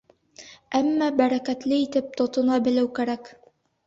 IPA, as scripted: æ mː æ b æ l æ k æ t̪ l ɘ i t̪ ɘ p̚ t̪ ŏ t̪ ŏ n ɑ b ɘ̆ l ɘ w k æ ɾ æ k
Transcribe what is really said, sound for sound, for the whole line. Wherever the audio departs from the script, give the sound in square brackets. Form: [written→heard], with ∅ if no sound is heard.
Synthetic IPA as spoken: æ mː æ b æ [l→ɾ] æ k æ t̪ l ɘ i t̪ ɘ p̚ t̪ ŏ t̪ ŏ n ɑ b ɘ̆ l ɘ w k æ ɾ æ k